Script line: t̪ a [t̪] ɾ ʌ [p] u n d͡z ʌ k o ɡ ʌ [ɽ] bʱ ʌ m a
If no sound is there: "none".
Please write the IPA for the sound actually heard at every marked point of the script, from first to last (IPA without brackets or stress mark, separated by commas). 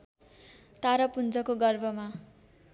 none, p, r